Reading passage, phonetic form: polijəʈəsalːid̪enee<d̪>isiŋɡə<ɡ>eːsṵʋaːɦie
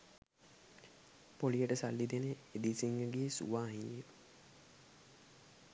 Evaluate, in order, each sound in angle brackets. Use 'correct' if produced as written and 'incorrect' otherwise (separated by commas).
correct, correct